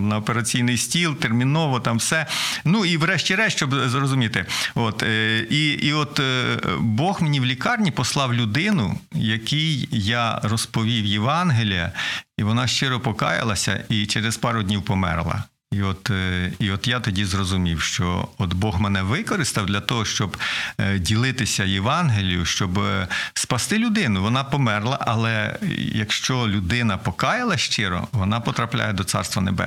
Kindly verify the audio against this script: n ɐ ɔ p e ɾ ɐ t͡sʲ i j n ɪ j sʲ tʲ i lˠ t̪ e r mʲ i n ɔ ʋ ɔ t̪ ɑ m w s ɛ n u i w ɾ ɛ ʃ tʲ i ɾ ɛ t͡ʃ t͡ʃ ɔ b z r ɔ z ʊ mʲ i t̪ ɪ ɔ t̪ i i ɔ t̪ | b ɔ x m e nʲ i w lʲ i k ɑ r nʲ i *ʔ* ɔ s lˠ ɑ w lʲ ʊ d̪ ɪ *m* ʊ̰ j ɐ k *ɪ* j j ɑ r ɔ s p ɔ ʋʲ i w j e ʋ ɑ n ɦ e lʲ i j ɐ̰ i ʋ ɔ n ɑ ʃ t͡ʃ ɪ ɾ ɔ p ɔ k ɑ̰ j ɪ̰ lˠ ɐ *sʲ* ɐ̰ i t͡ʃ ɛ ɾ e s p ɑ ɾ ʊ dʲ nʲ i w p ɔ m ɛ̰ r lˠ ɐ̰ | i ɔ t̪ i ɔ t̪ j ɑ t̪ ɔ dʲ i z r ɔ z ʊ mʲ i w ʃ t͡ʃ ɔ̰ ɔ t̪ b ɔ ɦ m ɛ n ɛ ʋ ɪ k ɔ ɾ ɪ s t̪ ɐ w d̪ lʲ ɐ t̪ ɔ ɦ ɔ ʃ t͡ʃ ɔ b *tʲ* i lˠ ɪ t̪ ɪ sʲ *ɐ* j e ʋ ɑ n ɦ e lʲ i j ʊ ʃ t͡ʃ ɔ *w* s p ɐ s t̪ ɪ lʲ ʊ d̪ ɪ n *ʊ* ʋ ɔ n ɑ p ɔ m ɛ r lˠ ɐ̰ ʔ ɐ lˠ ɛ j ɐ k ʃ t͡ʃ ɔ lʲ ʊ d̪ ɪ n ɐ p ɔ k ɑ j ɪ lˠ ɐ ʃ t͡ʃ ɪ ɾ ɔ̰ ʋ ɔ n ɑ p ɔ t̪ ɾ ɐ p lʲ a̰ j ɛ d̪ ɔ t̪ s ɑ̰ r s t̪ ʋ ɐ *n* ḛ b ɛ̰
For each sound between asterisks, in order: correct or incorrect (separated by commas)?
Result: incorrect, incorrect, incorrect, correct, incorrect, correct, incorrect, correct, correct